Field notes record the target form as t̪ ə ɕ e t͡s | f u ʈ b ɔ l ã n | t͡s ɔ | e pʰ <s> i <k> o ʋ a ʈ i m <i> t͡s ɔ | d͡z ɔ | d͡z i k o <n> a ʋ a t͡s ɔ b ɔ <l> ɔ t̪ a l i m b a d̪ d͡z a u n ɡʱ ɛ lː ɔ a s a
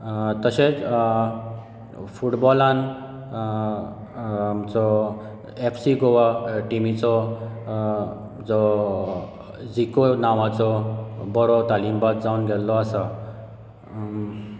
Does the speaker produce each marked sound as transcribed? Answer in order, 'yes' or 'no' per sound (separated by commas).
yes, no, yes, yes, no